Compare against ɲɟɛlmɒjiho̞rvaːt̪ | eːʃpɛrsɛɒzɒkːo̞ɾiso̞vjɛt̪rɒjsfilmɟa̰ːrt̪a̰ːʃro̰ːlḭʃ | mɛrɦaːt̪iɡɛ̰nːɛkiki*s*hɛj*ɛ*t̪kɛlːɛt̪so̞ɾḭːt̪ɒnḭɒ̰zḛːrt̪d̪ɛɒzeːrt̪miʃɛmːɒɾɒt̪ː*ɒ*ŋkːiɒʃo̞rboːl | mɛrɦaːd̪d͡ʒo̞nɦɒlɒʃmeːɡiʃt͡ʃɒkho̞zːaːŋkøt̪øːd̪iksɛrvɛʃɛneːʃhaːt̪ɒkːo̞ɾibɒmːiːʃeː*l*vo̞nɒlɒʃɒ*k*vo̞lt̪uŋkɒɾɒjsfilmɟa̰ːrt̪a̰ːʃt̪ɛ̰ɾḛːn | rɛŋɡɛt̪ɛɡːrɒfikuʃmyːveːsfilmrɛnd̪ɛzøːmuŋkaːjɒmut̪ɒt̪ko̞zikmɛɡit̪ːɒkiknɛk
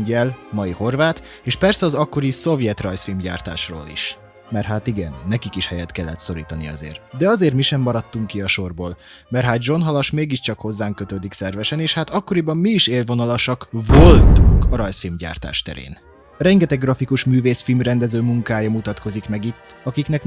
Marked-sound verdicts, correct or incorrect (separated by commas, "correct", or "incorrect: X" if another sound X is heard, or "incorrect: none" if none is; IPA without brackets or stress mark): incorrect: ʃ, correct, incorrect: u, correct, correct